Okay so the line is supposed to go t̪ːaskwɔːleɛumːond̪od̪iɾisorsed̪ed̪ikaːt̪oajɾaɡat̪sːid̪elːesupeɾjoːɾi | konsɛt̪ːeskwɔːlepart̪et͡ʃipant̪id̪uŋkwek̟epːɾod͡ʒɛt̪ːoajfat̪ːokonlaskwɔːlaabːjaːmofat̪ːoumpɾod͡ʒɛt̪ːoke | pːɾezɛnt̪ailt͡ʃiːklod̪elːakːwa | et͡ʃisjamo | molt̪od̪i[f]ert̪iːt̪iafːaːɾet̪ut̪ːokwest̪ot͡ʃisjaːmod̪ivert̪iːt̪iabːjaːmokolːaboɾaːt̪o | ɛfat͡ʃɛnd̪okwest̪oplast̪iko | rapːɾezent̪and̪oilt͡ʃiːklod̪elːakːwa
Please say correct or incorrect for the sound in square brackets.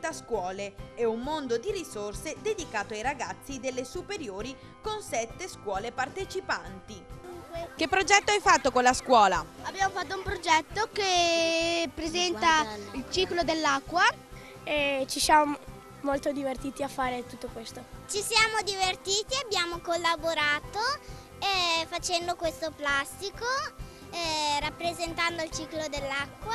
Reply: incorrect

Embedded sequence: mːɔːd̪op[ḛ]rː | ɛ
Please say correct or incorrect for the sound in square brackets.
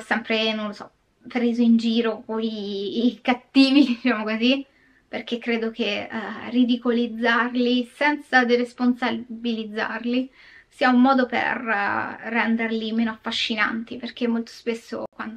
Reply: correct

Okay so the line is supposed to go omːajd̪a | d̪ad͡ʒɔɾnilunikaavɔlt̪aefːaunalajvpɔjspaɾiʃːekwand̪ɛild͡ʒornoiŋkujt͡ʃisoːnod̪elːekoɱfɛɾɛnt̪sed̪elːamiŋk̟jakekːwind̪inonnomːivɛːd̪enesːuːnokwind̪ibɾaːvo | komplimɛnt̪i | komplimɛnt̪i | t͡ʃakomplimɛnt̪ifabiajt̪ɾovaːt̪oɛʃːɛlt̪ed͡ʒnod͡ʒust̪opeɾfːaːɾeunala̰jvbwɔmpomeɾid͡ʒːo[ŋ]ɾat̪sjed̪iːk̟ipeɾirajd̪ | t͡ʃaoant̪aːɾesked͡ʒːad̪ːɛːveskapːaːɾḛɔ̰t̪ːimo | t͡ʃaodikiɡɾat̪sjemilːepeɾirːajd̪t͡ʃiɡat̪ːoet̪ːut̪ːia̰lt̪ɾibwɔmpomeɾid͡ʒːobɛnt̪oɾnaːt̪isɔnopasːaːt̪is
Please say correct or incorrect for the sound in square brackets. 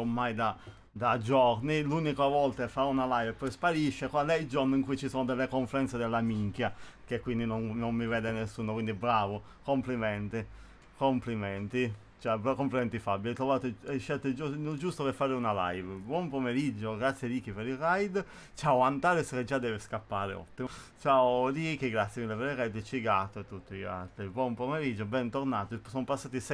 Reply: incorrect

